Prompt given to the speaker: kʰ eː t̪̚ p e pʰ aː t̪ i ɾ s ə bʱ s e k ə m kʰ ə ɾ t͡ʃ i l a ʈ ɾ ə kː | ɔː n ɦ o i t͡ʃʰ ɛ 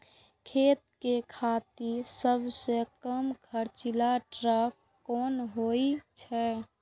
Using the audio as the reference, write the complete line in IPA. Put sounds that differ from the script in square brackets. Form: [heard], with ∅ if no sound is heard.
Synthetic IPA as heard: kʰ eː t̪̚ [k] e [kʰ] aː t̪ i ɾ s ə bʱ s e k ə m kʰ ə ɾ t͡ʃ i l a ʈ ɾ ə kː | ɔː n ɦ o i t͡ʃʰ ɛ